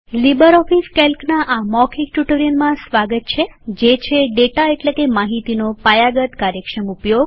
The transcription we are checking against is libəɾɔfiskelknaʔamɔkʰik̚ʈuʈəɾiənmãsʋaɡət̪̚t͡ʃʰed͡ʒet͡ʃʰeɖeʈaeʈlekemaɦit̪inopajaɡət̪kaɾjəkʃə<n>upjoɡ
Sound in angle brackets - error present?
yes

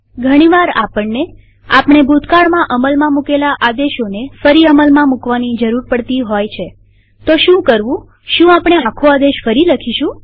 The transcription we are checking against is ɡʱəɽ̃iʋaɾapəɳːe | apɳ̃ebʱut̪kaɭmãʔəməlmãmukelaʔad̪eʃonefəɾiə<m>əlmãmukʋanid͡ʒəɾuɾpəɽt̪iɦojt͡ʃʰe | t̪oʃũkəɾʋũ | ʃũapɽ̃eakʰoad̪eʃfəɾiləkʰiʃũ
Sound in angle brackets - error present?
no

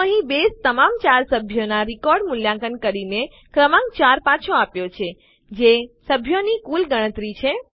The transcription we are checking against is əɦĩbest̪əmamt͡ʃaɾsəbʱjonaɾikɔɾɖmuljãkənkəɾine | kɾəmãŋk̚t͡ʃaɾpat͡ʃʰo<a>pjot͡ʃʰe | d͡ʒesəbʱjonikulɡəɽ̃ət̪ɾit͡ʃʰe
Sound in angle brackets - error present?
no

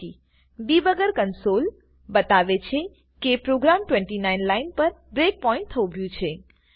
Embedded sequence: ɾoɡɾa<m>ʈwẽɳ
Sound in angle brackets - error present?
no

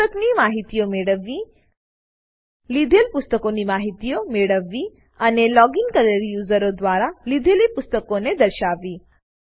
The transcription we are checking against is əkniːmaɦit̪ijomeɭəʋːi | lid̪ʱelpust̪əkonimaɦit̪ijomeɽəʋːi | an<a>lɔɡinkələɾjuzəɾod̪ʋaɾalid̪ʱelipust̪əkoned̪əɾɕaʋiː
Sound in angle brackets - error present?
yes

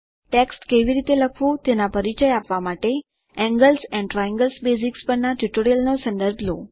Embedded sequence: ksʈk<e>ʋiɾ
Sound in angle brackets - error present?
no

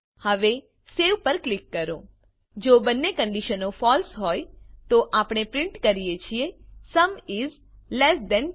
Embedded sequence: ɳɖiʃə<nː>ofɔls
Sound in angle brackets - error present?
yes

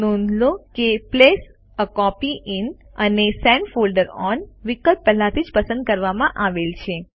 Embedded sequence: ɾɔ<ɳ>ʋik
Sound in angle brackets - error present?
yes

